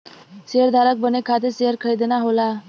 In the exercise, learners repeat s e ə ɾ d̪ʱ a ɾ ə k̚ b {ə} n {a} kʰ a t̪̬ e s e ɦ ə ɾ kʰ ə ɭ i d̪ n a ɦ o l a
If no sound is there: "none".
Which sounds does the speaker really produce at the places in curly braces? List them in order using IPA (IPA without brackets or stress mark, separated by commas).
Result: ə, e